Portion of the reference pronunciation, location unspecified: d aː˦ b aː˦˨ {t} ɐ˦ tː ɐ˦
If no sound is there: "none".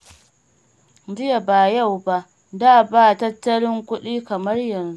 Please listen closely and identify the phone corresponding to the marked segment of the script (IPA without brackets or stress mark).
t